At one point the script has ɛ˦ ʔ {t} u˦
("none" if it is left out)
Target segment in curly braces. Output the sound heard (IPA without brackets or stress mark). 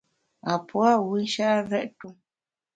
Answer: t